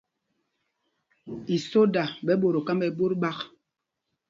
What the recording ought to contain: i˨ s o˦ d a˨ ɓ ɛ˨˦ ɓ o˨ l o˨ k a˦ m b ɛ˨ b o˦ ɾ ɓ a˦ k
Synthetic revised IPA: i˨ s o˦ d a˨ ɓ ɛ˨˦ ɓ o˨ ɾ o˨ k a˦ m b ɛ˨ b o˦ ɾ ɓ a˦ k